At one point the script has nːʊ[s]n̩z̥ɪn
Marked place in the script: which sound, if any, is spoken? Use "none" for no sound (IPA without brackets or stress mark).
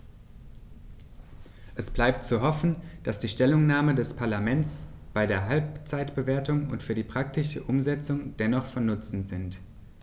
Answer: t͡s